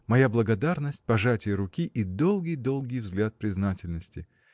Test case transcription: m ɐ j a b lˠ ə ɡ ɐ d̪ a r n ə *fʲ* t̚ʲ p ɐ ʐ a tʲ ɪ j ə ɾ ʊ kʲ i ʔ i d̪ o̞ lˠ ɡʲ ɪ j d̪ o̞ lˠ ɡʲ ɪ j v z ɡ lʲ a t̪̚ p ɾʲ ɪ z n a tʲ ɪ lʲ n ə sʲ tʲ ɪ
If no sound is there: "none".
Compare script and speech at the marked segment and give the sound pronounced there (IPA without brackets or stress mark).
sʲ